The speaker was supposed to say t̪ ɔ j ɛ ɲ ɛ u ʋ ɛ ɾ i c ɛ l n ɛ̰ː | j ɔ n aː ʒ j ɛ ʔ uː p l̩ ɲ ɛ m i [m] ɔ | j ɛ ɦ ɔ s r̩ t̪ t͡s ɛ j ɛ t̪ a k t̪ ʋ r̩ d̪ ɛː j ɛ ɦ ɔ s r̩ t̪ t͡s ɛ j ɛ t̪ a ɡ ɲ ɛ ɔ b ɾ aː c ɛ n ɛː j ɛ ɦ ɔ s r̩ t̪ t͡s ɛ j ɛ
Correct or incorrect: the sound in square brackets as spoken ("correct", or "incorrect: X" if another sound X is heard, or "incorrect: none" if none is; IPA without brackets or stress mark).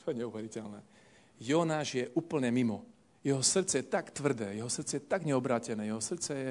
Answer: correct